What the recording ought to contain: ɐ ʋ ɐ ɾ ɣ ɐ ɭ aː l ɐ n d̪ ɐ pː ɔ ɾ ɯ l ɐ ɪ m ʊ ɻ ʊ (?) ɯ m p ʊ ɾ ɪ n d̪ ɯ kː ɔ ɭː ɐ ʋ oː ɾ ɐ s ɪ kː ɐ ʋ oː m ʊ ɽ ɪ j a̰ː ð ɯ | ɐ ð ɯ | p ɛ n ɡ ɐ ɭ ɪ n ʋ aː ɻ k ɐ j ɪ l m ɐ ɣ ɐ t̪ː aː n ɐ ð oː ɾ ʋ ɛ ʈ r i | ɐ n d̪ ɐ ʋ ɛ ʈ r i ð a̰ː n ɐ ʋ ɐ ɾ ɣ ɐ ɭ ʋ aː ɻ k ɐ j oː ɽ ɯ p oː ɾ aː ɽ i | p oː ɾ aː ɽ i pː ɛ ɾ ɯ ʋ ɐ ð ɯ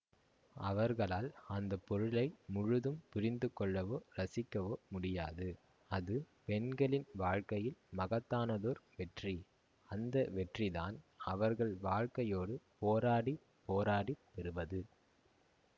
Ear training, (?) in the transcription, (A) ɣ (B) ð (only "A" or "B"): B